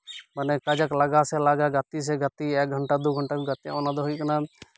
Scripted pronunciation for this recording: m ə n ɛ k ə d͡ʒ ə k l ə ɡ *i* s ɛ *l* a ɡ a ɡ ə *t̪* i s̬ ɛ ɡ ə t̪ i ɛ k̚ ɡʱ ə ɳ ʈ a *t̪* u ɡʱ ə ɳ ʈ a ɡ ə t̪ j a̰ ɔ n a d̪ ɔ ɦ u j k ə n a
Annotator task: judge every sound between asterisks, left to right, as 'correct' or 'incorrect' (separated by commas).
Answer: incorrect, correct, correct, incorrect